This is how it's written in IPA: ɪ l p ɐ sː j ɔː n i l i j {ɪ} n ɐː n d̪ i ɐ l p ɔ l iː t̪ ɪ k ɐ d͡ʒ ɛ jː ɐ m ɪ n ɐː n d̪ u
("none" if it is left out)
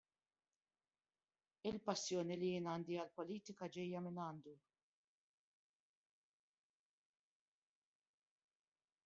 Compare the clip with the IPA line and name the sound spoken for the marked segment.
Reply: ɪː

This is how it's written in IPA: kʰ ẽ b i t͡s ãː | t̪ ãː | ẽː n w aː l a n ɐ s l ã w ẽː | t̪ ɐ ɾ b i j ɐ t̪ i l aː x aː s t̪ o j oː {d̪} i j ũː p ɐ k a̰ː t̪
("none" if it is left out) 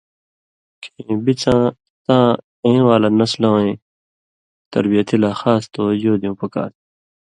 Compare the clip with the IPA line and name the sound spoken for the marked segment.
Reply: d̪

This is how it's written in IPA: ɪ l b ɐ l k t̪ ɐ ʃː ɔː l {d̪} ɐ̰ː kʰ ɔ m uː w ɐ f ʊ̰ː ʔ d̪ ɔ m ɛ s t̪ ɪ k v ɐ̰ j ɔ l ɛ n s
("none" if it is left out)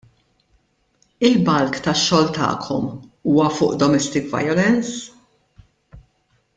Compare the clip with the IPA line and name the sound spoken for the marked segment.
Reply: t̪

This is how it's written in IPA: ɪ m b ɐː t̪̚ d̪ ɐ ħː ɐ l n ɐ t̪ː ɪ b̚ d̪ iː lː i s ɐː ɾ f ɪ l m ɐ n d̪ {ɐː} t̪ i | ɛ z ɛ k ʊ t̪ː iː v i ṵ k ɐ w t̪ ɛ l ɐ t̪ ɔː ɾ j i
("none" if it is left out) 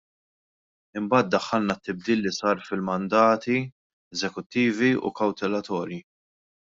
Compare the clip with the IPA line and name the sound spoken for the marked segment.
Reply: ɐː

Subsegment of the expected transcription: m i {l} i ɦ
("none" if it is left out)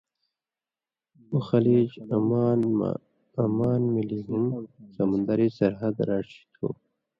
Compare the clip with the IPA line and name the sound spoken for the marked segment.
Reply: l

